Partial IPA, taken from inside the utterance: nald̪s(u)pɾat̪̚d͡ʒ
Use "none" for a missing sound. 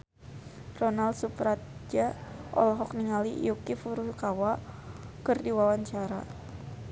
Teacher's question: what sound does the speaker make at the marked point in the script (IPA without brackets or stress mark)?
u